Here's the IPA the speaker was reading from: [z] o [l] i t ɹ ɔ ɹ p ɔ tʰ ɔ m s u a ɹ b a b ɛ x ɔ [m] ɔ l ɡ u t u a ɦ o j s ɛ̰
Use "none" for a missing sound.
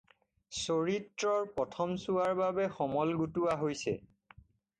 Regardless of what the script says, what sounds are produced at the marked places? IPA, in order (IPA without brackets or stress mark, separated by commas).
s, ɹ, m